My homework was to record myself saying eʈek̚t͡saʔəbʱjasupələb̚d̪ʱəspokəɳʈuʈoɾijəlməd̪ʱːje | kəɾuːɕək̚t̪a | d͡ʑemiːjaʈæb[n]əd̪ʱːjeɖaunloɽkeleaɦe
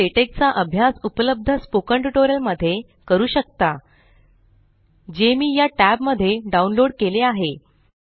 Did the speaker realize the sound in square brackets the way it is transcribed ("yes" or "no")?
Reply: no